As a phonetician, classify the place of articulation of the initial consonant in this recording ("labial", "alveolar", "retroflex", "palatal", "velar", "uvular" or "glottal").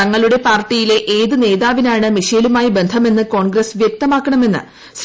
velar